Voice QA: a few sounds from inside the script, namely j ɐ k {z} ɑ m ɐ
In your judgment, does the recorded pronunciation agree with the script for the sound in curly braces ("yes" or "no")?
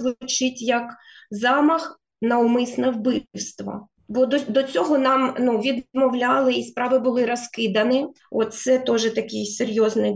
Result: yes